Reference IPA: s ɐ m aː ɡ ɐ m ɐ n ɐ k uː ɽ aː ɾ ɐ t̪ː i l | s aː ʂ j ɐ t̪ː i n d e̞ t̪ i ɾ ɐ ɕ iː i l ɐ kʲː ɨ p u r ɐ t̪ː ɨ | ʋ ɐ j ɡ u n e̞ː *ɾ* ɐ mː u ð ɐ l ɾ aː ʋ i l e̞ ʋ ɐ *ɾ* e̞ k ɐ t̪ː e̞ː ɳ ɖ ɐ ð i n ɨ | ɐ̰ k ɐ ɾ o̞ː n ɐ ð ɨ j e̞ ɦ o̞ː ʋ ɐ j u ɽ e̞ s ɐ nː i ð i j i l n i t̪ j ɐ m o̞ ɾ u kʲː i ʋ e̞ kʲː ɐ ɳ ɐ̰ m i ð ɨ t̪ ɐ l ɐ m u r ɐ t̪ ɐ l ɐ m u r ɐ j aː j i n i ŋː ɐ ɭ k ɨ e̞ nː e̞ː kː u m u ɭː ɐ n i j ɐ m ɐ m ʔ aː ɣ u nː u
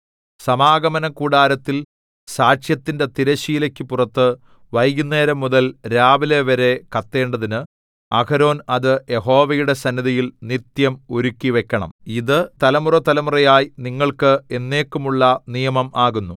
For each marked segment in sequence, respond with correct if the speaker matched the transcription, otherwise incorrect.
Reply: correct, correct

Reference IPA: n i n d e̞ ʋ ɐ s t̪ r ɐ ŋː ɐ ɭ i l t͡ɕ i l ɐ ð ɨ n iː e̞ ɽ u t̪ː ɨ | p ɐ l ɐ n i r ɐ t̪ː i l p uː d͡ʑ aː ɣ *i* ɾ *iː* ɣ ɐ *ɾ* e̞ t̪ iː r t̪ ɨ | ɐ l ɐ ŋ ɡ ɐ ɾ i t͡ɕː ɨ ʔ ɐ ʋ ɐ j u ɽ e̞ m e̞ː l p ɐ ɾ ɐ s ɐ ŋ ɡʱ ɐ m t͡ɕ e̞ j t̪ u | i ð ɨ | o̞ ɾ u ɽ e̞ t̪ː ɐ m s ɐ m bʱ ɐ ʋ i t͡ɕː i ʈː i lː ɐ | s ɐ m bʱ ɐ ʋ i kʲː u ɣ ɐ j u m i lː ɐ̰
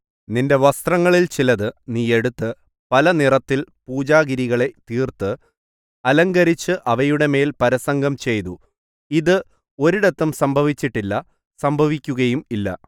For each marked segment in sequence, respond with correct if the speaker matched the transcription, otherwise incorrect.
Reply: correct, incorrect, incorrect

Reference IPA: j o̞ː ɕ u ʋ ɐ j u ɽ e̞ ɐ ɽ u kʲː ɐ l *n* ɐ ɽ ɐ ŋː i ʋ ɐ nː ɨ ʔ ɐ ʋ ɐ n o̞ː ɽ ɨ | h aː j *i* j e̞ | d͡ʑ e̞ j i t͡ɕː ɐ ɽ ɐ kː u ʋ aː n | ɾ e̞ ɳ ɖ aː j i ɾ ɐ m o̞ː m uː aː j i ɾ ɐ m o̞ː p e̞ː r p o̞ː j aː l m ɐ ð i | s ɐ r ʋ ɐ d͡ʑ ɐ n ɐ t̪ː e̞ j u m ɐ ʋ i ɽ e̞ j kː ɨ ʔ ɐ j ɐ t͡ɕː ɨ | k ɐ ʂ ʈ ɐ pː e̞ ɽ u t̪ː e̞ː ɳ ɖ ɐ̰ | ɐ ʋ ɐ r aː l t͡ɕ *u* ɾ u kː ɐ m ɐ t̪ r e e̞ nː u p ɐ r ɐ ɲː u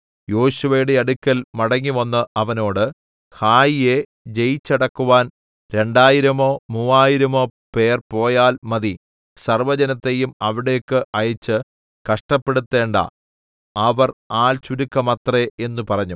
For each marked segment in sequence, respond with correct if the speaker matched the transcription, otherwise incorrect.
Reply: incorrect, correct, correct

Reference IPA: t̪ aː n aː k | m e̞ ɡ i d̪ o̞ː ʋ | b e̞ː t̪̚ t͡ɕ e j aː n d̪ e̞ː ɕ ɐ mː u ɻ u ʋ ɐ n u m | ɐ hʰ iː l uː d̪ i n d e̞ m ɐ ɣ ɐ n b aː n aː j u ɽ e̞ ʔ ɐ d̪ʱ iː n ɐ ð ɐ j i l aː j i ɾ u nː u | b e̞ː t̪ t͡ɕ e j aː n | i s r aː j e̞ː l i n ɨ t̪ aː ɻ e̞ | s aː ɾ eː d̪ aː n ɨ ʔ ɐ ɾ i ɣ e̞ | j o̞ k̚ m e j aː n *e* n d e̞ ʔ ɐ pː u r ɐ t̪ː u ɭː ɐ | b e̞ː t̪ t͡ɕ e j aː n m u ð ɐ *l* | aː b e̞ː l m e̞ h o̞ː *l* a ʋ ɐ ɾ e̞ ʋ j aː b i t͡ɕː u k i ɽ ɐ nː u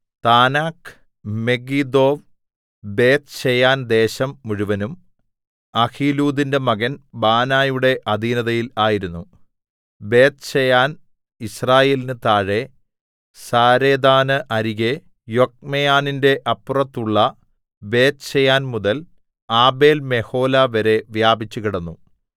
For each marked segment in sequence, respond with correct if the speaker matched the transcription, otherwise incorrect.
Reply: incorrect, correct, correct

